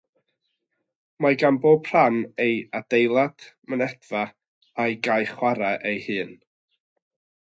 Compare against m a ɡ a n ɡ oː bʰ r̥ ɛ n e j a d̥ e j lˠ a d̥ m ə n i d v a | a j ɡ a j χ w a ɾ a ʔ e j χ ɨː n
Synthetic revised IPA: m a ɡ a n b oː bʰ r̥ a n e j a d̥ e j lˠ a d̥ m ə n ɛ d v a | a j ɡ a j χ w a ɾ a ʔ e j h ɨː n